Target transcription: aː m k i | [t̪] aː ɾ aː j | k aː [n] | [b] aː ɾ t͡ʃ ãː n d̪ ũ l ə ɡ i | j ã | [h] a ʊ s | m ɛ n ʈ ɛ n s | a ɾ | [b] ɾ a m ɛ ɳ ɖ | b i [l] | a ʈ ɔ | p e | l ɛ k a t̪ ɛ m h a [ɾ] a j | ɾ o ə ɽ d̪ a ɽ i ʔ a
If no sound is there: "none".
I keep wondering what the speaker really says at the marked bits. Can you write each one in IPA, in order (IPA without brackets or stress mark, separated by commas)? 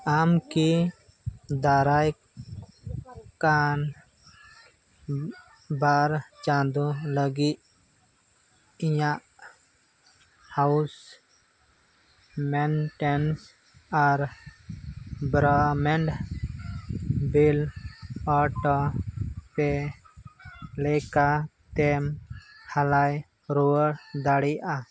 d̪, n, b, h, b, l, l